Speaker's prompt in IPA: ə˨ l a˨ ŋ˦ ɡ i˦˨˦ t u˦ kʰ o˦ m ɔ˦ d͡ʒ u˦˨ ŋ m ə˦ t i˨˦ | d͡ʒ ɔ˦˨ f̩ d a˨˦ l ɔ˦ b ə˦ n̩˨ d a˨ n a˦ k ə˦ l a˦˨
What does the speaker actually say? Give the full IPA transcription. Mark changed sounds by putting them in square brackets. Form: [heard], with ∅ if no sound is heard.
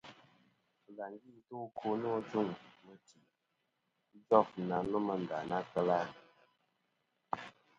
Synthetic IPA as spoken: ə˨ l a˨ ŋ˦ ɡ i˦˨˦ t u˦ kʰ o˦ [n] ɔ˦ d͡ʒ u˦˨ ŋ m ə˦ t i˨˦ | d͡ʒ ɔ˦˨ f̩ [n] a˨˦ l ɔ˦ [m] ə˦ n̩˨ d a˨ n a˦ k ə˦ l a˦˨